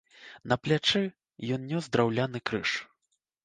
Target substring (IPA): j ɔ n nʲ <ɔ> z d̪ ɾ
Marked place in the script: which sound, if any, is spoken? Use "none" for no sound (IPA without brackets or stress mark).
ɔ